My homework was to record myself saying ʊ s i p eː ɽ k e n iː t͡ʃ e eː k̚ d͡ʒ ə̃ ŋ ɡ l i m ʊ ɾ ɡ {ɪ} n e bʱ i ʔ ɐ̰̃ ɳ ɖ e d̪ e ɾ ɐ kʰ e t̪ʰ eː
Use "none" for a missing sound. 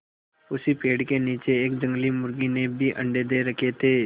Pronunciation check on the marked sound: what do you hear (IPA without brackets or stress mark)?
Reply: i